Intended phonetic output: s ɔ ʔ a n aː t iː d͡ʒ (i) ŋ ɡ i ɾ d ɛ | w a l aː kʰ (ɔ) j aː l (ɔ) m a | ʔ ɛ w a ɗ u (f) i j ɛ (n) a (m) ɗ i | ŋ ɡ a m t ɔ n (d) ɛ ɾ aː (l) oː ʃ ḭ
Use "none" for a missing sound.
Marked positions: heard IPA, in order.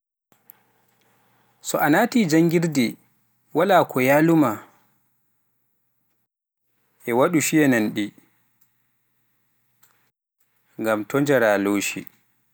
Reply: a, ɔ, u, ʃ, n, n, d͡ʒ, l

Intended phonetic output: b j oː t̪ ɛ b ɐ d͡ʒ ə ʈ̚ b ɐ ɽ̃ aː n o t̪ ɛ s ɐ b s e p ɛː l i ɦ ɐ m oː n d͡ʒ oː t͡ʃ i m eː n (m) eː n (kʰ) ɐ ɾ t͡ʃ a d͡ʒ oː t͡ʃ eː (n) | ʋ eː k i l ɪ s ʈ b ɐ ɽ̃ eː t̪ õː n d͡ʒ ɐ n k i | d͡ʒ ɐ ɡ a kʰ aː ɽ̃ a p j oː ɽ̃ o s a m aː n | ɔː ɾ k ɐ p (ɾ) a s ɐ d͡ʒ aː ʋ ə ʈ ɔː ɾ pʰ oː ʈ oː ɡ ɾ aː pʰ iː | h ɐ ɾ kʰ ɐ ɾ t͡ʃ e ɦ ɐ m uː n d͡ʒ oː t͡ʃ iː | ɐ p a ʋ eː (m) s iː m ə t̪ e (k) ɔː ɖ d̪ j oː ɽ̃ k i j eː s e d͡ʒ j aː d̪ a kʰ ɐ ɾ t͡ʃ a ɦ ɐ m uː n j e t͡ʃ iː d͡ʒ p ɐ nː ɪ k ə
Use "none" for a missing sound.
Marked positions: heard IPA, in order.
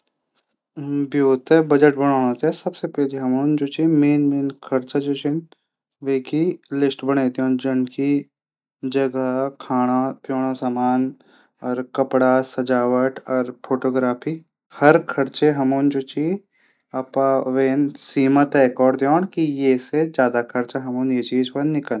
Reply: m, kʰ, n, ɽ, n, k

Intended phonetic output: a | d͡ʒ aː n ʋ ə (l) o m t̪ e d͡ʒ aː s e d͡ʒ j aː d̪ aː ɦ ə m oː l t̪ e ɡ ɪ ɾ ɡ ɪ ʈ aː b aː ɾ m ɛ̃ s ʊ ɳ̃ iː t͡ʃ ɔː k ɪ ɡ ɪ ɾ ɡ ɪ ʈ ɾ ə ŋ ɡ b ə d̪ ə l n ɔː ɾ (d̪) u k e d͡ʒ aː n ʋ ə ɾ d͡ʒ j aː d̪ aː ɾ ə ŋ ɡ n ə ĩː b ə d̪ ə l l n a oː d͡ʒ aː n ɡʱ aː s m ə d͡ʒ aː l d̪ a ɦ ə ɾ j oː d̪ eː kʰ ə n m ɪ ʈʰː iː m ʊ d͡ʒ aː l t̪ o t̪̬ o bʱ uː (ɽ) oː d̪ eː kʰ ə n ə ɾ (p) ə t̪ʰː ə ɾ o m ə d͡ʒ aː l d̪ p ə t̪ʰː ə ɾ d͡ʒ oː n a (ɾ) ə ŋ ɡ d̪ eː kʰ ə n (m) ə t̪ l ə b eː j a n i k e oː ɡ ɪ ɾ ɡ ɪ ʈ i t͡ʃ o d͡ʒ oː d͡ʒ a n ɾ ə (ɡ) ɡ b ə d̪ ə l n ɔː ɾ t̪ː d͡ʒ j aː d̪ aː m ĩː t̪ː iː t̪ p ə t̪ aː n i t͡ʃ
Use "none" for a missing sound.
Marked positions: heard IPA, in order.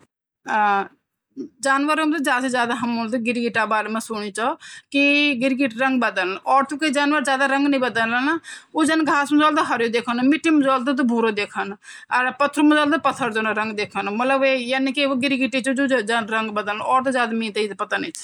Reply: ɾ, t̪, ɾ, p, ɾ, m, ŋ

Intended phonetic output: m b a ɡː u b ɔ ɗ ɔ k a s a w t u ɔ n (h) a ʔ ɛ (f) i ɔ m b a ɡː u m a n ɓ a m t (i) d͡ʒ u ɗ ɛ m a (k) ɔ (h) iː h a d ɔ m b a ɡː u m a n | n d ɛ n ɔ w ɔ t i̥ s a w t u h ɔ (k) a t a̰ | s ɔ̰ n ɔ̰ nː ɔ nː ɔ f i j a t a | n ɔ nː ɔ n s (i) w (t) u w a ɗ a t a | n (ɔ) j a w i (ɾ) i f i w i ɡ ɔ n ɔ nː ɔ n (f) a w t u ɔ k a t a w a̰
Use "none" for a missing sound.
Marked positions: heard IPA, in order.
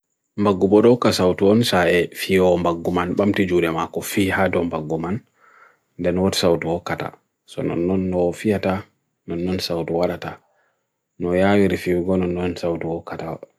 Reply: s, f, i, k, f, k, a, t, ɔ, ɾ, s

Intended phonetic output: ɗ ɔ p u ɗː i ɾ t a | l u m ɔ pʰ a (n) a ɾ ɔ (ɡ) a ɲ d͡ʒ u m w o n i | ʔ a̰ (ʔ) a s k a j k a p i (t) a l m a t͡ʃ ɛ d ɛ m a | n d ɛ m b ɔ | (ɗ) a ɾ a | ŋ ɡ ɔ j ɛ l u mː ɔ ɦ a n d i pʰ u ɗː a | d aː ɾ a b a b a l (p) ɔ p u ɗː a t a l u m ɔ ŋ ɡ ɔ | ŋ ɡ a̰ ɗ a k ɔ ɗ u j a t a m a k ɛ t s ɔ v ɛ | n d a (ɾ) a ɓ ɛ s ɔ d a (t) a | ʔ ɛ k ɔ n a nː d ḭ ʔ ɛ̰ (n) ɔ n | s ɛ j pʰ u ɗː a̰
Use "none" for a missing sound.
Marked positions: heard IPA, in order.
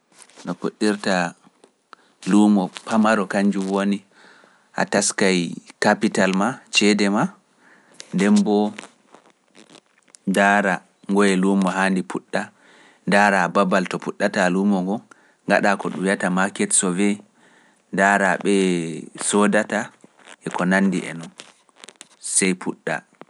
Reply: m, k, t, t, d, t, ɾ, t, n

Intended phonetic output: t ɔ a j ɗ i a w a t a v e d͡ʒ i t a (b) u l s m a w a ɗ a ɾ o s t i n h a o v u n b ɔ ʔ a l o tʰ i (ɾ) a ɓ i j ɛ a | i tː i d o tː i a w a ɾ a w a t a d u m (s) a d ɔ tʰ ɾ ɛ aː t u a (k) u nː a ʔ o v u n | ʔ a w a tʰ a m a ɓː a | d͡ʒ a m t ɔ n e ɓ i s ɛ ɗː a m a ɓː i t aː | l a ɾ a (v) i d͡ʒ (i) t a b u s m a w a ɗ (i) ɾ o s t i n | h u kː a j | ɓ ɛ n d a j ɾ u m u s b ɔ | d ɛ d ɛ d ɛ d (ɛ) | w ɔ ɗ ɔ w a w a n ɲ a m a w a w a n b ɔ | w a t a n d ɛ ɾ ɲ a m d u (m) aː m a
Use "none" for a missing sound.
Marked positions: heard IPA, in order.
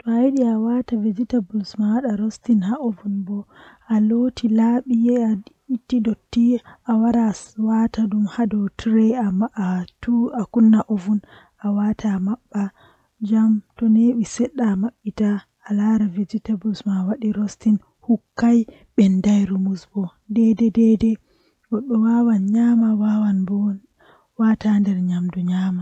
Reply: b, l, h, k, v, i, i, ɛ, ɲ

